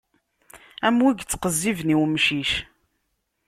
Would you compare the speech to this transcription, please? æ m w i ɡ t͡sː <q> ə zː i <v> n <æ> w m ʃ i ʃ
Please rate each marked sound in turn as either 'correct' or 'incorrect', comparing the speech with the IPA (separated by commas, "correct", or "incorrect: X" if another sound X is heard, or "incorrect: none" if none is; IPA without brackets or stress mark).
correct, correct, incorrect: i